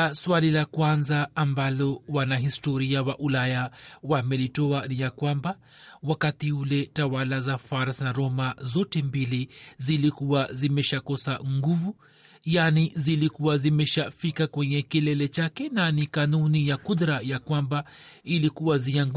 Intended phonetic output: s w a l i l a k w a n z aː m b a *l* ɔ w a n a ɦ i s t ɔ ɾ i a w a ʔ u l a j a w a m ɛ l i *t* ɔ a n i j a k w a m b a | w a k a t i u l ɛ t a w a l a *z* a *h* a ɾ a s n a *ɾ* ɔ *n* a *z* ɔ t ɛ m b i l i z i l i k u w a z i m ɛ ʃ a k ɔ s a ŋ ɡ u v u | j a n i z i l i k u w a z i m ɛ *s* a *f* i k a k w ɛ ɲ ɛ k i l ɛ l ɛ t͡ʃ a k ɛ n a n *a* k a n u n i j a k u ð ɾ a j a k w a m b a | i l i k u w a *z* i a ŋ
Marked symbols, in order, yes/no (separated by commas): yes, yes, yes, no, yes, no, yes, no, yes, no, yes